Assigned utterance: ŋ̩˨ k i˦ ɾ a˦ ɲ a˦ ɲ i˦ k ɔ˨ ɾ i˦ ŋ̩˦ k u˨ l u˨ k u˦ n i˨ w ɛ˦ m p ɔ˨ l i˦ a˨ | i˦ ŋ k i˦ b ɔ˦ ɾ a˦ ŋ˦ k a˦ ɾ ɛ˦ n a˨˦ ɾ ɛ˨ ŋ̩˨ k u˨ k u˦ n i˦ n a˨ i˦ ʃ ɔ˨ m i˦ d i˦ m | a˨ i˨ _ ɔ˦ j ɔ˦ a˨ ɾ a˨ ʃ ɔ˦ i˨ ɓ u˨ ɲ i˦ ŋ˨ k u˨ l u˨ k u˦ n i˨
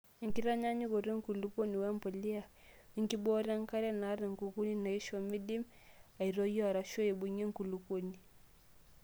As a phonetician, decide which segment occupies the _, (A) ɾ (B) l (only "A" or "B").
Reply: A